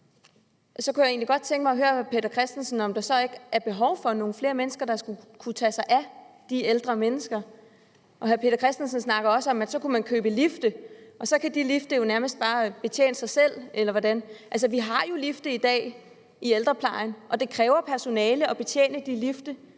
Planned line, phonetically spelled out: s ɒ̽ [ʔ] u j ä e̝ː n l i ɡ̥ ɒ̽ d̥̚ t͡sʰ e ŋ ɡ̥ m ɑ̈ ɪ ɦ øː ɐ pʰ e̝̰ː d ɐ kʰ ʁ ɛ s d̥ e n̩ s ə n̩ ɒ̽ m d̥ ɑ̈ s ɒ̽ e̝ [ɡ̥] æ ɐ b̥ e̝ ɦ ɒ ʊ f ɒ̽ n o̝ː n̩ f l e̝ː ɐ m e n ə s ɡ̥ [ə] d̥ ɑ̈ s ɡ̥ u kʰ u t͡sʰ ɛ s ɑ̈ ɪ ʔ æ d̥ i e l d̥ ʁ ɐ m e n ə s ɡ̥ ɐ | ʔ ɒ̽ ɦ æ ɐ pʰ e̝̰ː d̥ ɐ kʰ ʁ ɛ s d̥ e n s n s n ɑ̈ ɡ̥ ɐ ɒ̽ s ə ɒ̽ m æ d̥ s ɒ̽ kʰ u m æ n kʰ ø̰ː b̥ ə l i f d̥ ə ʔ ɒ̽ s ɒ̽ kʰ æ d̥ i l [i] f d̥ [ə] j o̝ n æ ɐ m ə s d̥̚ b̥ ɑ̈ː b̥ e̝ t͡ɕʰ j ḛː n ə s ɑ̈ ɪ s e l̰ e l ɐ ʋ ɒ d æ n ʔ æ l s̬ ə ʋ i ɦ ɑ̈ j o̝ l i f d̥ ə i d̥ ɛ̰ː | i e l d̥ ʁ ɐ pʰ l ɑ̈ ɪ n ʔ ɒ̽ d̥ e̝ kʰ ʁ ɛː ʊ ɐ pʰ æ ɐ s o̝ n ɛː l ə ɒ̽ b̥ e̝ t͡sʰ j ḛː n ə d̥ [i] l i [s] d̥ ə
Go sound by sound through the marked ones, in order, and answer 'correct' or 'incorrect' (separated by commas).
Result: incorrect, correct, incorrect, correct, correct, correct, incorrect